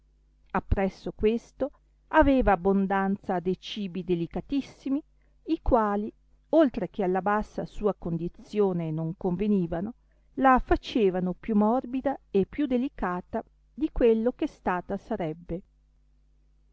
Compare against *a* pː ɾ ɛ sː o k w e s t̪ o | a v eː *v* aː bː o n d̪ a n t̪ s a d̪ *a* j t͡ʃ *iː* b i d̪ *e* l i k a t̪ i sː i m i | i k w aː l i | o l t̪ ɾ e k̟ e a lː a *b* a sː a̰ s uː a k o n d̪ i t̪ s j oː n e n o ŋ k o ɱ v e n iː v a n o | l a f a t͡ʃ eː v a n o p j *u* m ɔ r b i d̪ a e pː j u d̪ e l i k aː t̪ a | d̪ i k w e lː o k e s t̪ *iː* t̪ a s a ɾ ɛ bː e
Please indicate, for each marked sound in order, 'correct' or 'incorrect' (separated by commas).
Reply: correct, correct, incorrect, correct, correct, correct, correct, incorrect